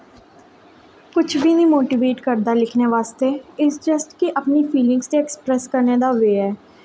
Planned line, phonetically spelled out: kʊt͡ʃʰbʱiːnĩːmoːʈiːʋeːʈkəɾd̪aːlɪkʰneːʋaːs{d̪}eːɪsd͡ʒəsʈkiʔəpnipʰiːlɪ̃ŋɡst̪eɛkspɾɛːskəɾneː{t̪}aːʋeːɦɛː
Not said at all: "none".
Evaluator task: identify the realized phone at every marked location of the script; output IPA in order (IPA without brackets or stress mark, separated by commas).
t̪, d̪